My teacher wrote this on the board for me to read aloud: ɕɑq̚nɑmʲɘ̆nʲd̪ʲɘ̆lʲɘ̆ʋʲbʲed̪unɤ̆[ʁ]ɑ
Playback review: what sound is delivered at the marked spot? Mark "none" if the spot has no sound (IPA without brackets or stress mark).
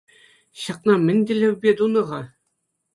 ʁ